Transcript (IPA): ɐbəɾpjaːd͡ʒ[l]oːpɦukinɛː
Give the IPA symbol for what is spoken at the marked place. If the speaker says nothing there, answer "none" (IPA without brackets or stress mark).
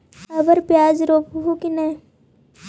ɾ